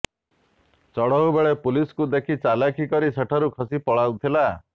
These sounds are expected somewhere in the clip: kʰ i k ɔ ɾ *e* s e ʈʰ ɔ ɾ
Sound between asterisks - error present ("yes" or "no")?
yes